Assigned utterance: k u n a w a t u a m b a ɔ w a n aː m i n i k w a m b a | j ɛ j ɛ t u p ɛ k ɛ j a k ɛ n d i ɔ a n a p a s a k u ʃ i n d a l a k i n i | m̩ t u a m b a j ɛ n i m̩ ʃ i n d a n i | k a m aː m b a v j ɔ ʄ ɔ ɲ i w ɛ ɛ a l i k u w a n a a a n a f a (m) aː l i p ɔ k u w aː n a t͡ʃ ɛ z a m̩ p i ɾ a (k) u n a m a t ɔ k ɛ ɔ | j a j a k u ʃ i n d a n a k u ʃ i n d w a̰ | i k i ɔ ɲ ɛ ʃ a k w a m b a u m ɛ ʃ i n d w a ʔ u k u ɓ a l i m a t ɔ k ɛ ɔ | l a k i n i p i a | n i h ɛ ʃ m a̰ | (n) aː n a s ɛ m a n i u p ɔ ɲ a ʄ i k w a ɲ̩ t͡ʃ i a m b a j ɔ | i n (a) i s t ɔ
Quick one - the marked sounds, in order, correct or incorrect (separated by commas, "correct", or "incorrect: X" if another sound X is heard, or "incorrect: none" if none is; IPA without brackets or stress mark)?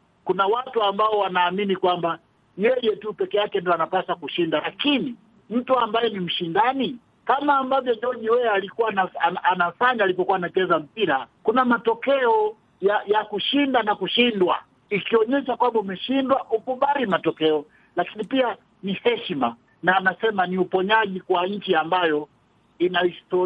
incorrect: ɲ, correct, correct, correct